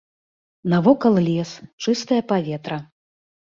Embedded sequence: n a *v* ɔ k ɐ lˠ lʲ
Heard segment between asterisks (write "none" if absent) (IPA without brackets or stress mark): v